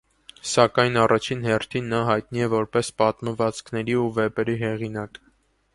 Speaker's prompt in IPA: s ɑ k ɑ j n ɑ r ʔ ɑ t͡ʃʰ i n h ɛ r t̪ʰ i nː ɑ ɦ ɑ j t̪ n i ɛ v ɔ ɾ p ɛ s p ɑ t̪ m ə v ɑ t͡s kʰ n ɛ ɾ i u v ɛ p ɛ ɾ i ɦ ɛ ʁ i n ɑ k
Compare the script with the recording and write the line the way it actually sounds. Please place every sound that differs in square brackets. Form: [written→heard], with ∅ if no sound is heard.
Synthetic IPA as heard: s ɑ k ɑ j n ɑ r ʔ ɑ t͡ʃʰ i n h ɛ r t̪ʰ i nː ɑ ɦ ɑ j t̪ n i ɛ v ɔ ɾ p ɛ s p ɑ t̪ m ə v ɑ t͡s kʰ n ɛ ɾ i u v ɛ p ɛ ɾ i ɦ ɛ ʁ i n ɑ k

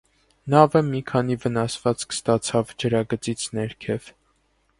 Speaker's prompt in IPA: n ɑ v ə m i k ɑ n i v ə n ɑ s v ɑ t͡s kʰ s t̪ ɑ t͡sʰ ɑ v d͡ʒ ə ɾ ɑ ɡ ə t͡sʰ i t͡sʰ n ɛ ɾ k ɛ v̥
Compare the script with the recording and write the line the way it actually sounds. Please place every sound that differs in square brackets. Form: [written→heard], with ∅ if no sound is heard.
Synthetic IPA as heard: n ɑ v ə m i [k→kʰ] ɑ n i v ə n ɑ s v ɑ t͡s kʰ s t̪ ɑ t͡sʰ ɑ v d͡ʒ ə ɾ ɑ ɡ ə [t͡sʰ→t͡s] i t͡sʰ n ɛ ɾ [k→kʰ] ɛ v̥

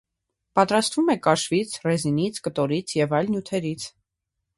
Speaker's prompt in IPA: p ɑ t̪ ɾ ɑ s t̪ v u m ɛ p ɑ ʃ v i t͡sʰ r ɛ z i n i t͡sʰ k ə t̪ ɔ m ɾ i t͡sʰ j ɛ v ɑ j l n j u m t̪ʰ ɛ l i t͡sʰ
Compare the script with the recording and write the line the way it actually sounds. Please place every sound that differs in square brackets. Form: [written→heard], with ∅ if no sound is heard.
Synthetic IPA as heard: p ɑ t̪ ɾ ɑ s t̪ v u m ɛ [p→k] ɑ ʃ v i t͡sʰ r ɛ z i n i t͡sʰ k ə t̪ ɔ [m→∅] ɾ i t͡sʰ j ɛ v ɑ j l n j u [m→∅] t̪ʰ ɛ [l→ɾ] i t͡sʰ

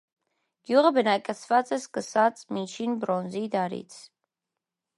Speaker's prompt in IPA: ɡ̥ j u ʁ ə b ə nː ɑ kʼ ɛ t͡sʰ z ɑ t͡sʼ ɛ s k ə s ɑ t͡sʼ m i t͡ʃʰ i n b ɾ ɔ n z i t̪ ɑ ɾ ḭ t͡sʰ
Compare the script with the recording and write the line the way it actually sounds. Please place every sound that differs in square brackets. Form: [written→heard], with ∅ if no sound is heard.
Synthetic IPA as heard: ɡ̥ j u ʁ ə b ə [nː→n] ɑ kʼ ɛ t͡sʰ [z→v] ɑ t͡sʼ ɛ s k ə s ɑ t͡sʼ m i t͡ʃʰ i n b ɾ ɔ n z i [t̪→d̪] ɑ ɾ ḭ t͡sʰ

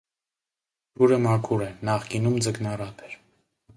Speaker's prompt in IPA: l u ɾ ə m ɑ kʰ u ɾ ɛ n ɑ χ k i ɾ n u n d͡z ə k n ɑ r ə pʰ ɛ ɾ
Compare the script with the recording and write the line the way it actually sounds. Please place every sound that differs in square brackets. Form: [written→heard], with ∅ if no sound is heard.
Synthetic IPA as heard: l u ɾ ə m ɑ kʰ u ɾ ɛ n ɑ χ k i [ɾ→∅] n u [n→m] d͡z ə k n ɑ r [ə→ɑ] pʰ ɛ ɾ

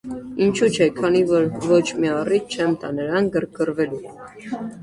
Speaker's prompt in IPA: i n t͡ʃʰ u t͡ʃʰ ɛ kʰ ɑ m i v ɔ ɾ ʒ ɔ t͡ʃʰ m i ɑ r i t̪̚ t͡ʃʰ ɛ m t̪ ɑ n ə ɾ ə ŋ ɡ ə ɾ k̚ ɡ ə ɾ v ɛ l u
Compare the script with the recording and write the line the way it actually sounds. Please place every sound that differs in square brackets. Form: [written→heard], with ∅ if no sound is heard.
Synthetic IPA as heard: i n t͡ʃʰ u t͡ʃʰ ɛ kʰ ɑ [m→n] i v ɔ ɾ [ʒ→v] ɔ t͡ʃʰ m i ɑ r i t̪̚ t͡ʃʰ ɛ m t̪ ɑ n ə ɾ [ə→ɑ] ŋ ɡ ə ɾ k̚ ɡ ə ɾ v ɛ l u

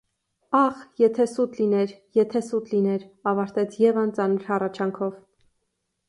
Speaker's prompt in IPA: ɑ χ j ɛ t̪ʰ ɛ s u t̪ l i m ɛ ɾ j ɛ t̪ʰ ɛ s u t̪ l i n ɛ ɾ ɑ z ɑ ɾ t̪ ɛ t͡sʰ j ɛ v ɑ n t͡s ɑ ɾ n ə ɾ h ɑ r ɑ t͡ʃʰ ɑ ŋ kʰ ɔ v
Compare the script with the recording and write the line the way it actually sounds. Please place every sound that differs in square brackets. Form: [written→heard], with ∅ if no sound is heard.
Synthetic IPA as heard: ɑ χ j ɛ t̪ʰ ɛ s u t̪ l i [m→n] ɛ ɾ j ɛ t̪ʰ ɛ s u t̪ l i n ɛ ɾ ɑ [z→v] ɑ ɾ t̪ ɛ t͡sʰ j ɛ v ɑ n t͡s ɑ [ɾ→∅] n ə ɾ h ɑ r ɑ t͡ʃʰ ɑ ŋ kʰ ɔ v

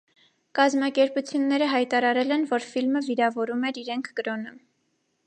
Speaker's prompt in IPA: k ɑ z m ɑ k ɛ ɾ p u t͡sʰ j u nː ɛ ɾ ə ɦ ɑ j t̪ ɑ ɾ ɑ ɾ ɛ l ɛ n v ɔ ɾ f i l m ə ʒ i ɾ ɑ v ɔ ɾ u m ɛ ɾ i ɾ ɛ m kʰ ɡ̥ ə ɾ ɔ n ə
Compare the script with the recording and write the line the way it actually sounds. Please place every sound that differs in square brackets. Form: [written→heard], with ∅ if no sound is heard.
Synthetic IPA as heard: k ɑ z m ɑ k ɛ ɾ p u t͡sʰ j u nː ɛ ɾ ə ɦ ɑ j t̪ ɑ ɾ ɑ ɾ ɛ l ɛ n v ɔ ɾ f i l m ə [ʒ→v] i ɾ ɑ v ɔ ɾ u m ɛ ɾ i ɾ ɛ [m→ŋ] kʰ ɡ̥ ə ɾ ɔ n ə

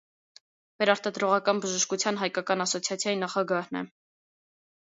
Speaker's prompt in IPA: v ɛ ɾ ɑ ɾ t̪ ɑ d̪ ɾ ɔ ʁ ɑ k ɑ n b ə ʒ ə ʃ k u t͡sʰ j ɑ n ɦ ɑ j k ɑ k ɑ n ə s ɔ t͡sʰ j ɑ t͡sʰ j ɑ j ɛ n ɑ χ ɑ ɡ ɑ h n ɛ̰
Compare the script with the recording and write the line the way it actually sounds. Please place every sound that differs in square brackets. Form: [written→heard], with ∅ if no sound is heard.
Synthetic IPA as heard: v ɛ ɾ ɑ ɾ t̪ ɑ d̪ ɾ ɔ ʁ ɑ k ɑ n b ə ʒ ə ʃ k u t͡sʰ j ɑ n ɦ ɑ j k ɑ k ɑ n [ə→ɑ] s ɔ t͡sʰ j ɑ t͡sʰ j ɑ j [ɛ→i] n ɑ χ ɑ ɡ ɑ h n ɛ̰

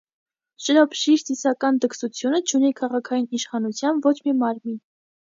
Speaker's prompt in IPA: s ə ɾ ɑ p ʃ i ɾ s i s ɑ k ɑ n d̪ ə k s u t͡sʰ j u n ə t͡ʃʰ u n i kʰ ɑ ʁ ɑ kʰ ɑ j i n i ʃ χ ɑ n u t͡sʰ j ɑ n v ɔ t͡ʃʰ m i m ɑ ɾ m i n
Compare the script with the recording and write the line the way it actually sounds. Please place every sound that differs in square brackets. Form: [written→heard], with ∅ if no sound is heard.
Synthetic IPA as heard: [s→ʃ] ə ɾ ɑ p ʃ i ɾ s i s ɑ k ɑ n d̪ ə k s u t͡sʰ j u n ə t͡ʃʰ u n i kʰ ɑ ʁ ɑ kʰ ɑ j i n i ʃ χ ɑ n u t͡sʰ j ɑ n v ɔ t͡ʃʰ m i m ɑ ɾ m i n

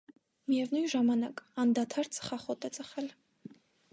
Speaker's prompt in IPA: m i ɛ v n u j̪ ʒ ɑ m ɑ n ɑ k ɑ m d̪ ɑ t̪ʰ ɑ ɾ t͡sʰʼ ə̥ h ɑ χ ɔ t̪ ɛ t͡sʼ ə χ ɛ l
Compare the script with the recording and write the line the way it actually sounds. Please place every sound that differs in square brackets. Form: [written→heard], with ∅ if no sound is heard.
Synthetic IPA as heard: m i ɛ v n u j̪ ʒ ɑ m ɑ n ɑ k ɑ [m→n] d̪ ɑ t̪ʰ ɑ ɾ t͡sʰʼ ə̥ [h→χ] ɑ χ ɔ t̪ ɛ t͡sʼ ə χ ɛ l

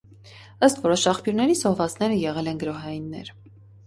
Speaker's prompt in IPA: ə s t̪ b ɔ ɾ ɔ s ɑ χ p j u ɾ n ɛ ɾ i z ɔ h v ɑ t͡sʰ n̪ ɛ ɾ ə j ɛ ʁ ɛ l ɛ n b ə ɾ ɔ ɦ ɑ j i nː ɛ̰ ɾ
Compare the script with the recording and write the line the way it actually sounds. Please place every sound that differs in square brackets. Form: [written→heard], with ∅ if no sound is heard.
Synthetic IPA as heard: ə s t̪ [b→v] ɔ ɾ ɔ [s→ʃ] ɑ χ p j u ɾ n ɛ ɾ i z ɔ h v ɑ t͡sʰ n̪ ɛ ɾ ə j ɛ ʁ ɛ l ɛ n [b→ɡ] ə ɾ ɔ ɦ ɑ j i nː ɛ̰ ɾ

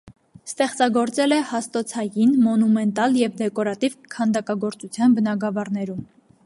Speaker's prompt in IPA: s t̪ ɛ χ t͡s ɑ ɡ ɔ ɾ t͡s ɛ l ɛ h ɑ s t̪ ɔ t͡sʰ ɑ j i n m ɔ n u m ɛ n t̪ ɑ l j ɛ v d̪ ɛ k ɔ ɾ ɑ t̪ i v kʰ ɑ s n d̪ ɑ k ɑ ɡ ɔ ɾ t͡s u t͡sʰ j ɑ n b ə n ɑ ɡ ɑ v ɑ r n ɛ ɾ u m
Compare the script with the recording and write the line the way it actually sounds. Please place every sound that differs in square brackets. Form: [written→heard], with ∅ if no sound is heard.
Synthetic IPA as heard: s t̪ ɛ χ t͡s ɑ ɡ ɔ ɾ t͡s ɛ l ɛ h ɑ s t̪ ɔ t͡sʰ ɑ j i n m ɔ n u m ɛ n t̪ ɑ l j ɛ v d̪ ɛ k ɔ ɾ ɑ t̪ i v kʰ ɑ [s→∅] n d̪ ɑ k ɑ ɡ ɔ ɾ t͡s u t͡sʰ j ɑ n b ə n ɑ ɡ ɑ v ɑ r n ɛ ɾ u m

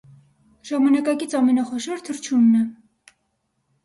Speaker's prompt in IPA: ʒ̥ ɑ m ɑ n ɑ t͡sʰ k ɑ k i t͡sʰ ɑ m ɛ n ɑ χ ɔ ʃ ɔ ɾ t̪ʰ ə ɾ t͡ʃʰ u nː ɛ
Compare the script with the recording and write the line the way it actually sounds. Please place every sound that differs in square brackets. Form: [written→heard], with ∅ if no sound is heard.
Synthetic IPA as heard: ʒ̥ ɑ m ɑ n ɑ [t͡sʰ→∅] k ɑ k i t͡sʰ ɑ m ɛ n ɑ χ ɔ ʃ ɔ ɾ t̪ʰ ə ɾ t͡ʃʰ u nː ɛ

